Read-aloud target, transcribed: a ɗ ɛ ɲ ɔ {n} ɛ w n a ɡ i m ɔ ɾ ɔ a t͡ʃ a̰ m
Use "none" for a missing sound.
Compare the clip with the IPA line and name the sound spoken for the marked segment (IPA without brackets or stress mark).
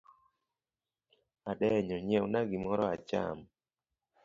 ɲ